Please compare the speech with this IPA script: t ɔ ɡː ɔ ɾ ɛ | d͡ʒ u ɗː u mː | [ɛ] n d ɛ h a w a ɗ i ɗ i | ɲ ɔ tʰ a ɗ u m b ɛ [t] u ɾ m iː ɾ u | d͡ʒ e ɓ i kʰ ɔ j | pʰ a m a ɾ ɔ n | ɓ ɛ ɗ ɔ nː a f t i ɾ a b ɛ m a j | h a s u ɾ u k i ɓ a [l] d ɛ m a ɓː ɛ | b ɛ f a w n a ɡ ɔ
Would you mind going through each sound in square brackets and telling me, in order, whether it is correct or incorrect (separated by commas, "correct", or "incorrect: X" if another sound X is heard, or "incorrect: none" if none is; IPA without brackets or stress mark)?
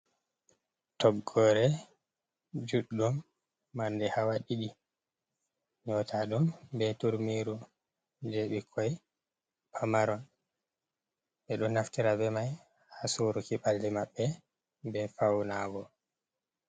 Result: incorrect: a, correct, correct